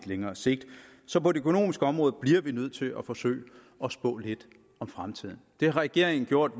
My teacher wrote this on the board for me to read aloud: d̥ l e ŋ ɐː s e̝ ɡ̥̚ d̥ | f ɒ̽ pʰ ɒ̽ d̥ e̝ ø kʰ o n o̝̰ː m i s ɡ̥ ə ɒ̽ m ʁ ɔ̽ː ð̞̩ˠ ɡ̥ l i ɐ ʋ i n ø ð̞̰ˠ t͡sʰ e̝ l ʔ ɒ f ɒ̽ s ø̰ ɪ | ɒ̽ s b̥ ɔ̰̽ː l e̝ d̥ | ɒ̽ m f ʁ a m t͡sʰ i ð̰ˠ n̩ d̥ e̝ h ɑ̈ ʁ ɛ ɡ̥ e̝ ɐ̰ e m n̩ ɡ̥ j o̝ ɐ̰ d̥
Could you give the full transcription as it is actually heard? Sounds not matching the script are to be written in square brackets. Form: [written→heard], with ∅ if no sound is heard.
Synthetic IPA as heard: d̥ l e ŋ ɐː s e̝ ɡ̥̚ d̥ | [f→s] ɒ̽ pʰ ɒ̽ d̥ e̝ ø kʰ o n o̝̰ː m i s ɡ̥ ə ɒ̽ m ʁ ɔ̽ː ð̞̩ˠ [ɡ̥→b̥] l i ɐ ʋ i n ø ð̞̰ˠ t͡sʰ e̝ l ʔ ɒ f ɒ̽ s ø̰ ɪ | ɒ̽ s b̥ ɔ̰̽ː l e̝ d̥ | ɒ̽ m f ʁ a m t͡sʰ i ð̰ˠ n̩ d̥ e̝ h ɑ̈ ʁ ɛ ɡ̥ e̝ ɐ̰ e [m→ŋ] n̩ ɡ̥ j o̝ ɐ̰ d̥